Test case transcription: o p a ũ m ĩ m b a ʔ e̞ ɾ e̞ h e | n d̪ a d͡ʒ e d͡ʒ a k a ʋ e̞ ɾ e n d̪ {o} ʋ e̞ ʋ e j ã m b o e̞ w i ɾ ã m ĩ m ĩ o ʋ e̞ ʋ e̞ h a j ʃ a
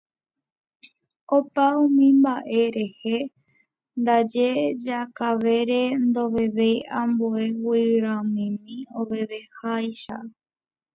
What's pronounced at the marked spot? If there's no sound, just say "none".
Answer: o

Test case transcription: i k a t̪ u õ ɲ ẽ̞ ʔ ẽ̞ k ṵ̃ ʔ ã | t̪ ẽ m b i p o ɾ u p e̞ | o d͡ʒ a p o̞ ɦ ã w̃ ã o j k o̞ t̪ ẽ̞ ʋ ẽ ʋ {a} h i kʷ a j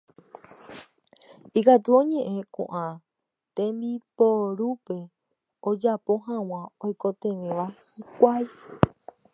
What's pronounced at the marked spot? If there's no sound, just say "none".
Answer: a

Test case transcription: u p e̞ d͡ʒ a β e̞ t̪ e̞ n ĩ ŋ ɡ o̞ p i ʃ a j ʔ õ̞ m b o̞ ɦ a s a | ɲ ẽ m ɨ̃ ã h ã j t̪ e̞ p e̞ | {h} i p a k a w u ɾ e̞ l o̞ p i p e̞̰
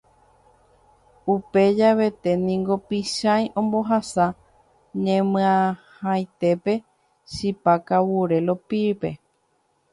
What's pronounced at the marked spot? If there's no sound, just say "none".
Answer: ʃ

